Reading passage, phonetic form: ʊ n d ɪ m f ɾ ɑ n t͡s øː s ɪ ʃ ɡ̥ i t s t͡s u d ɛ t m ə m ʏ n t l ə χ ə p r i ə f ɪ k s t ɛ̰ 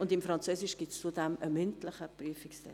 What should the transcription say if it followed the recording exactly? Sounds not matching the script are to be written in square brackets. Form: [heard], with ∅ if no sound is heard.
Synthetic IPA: ʊ n d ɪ m f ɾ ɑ n t͡s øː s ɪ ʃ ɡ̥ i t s t͡s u d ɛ [∅] m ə m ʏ n t l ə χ ə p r [y] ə f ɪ k s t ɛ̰